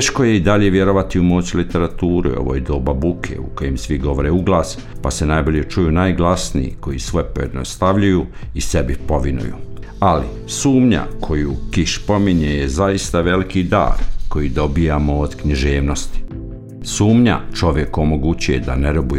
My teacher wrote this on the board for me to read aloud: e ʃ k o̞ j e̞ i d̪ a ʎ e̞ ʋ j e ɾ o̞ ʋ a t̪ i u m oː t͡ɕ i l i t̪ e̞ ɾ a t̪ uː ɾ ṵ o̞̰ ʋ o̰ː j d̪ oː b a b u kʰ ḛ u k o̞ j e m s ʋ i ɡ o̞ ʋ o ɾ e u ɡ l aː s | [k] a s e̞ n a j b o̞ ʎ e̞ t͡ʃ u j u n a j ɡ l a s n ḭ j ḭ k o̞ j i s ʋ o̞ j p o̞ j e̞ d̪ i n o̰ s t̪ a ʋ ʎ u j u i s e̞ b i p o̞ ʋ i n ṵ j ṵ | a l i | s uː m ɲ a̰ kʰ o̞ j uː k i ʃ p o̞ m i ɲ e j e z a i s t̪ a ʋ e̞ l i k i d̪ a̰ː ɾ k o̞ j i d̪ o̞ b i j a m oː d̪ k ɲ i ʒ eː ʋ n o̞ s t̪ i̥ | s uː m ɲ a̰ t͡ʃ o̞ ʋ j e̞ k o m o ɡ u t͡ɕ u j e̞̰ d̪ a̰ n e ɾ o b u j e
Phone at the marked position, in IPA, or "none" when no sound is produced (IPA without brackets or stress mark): p